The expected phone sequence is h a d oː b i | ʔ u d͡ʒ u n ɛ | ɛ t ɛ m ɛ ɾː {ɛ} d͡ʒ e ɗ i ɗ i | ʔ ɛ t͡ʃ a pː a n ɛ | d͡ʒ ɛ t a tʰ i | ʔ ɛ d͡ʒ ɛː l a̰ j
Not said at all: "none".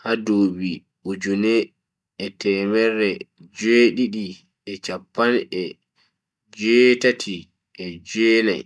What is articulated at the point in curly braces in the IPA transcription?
ɛ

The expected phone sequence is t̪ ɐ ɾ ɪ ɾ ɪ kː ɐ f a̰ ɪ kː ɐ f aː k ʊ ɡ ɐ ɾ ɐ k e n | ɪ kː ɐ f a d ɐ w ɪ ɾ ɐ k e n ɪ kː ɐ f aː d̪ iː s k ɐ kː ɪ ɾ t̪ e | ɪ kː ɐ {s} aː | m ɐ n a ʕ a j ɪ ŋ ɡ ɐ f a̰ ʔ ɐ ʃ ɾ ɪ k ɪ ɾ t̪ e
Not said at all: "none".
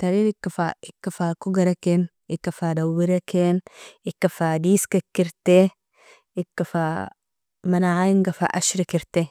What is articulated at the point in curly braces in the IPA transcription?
f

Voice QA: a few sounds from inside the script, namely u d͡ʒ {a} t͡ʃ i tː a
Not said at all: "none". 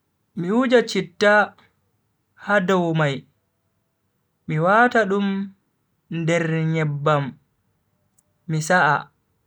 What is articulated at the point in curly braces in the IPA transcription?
a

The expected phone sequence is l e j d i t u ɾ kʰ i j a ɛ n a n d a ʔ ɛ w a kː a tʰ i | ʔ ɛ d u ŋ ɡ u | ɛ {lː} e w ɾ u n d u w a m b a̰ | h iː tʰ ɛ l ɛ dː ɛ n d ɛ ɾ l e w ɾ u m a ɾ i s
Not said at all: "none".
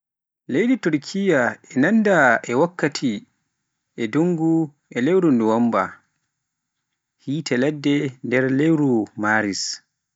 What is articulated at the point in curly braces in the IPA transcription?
l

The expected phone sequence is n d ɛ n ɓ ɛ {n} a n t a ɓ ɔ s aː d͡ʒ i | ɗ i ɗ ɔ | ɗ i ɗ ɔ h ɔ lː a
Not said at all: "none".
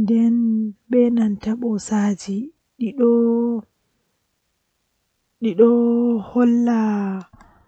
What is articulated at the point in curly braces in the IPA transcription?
n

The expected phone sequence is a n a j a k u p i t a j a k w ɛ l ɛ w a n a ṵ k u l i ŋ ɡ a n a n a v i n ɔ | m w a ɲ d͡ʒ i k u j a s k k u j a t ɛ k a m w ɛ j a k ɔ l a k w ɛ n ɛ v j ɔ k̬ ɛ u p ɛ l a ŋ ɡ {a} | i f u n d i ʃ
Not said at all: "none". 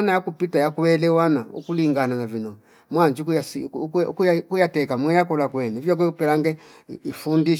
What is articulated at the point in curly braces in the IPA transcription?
ɛ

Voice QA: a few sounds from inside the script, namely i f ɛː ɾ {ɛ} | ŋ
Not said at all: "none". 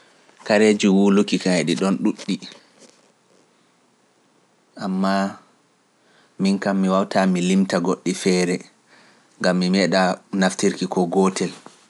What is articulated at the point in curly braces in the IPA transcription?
ɛ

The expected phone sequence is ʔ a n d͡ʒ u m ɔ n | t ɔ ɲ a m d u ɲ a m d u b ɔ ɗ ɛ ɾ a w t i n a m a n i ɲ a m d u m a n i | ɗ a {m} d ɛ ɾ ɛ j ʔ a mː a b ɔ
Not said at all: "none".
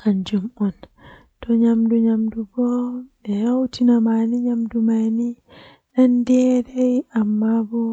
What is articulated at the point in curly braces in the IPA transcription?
n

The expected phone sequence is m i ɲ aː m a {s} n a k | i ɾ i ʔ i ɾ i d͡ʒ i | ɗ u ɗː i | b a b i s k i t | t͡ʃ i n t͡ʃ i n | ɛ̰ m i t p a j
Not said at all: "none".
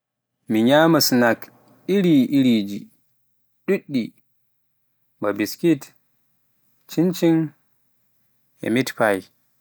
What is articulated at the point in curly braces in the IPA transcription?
s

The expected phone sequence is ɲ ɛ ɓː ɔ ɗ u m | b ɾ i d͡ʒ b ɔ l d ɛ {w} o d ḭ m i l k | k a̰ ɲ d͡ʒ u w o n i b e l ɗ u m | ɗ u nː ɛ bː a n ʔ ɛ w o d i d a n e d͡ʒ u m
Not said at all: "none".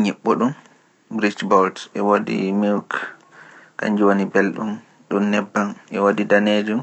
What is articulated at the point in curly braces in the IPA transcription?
w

